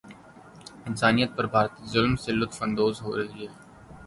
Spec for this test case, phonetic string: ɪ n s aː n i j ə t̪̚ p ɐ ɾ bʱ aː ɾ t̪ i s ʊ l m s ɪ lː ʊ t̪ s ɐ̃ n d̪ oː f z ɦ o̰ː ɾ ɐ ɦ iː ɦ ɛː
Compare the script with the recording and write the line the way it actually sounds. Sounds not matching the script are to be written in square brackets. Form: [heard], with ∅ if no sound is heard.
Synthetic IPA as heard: ɪ n s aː n i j ə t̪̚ p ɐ ɾ bʱ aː ɾ t̪ i [z] ʊ l m s ɪ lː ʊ t̪ [f] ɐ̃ n d̪ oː [∅] z ɦ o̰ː ɾ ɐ ɦ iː ɦ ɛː